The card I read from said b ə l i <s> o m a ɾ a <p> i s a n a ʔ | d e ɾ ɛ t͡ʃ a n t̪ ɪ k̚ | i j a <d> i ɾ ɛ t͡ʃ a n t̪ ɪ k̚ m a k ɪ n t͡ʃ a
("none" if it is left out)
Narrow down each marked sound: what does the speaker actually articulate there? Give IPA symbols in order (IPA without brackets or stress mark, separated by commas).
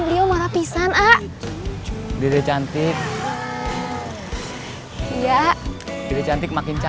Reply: none, p, d